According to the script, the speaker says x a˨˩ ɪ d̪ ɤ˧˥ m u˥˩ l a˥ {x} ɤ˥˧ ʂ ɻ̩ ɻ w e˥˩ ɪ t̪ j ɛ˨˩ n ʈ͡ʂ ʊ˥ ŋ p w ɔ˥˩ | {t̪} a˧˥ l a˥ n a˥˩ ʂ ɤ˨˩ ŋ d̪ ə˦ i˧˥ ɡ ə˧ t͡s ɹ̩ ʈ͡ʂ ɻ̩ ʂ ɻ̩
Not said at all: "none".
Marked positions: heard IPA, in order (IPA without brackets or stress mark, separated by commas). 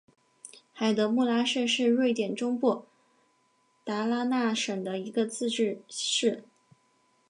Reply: ʂ, t̪